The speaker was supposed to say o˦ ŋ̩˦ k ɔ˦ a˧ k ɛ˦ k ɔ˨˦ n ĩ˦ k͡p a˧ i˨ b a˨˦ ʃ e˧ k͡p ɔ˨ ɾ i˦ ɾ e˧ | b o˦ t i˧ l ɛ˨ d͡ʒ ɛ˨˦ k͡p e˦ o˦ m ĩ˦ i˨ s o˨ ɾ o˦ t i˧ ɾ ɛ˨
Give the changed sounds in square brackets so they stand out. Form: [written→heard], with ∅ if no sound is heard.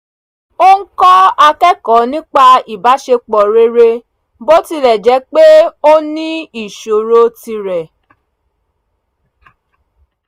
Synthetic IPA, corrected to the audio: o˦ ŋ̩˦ k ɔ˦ a˧ k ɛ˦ k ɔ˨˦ n ĩ˦ k͡p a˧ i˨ b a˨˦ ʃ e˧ k͡p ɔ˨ ɾ [i˦→e˦] ɾ e˧ | b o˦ t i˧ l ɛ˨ d͡ʒ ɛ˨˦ k͡p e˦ o˦ [m→n] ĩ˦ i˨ [s→ʃ] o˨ ɾ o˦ t i˧ ɾ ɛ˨